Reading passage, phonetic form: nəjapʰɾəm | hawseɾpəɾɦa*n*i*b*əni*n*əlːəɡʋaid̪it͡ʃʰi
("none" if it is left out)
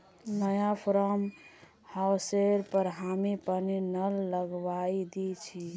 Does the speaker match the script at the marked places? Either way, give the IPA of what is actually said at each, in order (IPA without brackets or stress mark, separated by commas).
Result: m, p, n